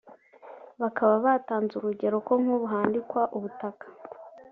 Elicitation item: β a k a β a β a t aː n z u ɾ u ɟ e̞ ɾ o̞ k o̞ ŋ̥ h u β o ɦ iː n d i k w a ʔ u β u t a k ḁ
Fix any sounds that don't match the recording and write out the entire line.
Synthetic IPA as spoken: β a k a β a β a t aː n z u ɾ u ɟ e̞ ɾ o̞ k o̞ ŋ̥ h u β u ɦ aː n d i k w a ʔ u β u t a k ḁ